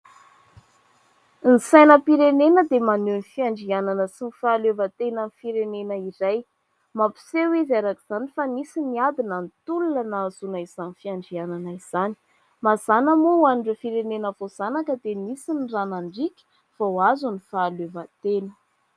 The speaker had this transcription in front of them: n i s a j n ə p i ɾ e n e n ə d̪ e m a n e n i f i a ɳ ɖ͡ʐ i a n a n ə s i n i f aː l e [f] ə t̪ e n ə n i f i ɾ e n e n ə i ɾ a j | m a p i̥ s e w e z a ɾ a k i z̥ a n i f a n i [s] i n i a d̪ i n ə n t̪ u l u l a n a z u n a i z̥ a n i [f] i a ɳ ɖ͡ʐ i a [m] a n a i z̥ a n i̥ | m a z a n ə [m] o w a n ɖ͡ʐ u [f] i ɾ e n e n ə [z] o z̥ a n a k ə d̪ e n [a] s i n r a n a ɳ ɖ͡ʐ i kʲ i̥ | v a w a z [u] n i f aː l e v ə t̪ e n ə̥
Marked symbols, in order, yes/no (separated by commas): no, yes, yes, no, yes, yes, no, no, yes